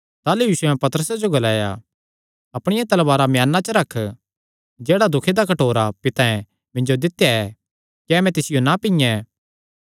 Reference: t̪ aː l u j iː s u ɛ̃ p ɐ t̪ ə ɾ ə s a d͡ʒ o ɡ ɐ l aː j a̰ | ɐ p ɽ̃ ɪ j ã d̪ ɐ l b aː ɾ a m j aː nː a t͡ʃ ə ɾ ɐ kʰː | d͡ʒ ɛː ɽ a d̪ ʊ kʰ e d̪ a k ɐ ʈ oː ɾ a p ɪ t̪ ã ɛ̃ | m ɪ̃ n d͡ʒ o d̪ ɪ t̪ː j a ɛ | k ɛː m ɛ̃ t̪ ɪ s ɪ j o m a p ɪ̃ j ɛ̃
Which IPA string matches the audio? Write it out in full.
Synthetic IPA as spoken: t̪ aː l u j iː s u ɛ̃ p ɐ t̪ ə ɾ ə s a d͡ʒ o ɡ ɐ l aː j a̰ | ɐ p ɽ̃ ɪ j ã t̪ ɐ l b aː ɾ a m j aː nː a t͡ʃ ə ɾ ɐ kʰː | d͡ʒ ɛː ɽ a d̪ ʊ kʰ e d̪ a k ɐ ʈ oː ɾ a p ɪ t̪ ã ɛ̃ | m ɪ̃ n d͡ʒ o d̪ ɪ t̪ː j a ɛ | k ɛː m ɛ̃ t̪ ɪ s ɪ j o n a p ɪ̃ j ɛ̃